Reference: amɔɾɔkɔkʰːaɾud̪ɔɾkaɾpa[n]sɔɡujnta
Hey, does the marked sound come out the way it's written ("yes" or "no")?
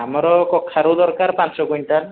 yes